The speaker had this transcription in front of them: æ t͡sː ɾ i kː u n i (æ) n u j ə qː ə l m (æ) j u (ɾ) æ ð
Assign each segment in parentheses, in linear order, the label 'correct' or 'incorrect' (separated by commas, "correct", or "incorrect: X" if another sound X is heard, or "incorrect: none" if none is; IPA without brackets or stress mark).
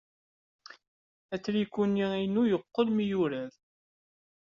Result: incorrect: i, incorrect: i, correct